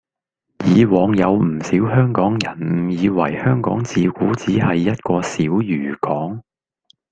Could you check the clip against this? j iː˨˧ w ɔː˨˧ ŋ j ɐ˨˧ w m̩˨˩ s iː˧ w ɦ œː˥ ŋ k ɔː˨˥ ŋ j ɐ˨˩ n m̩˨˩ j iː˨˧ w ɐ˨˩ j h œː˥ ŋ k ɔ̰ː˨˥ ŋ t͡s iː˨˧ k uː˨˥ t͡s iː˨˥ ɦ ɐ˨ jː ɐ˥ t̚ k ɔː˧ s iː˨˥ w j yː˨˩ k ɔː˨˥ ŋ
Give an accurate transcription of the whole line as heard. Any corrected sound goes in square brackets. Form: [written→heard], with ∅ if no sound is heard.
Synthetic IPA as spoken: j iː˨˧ w ɔː˨˧ ŋ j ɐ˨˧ w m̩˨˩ s [iː˧→iː˨˥] w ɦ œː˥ ŋ k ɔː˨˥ ŋ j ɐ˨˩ n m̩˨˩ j iː˨˧ w ɐ˨˩ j h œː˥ ŋ k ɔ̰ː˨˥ ŋ t͡s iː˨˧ k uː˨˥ t͡s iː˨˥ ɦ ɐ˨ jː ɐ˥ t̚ k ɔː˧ s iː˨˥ w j yː˨˩ k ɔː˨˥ ŋ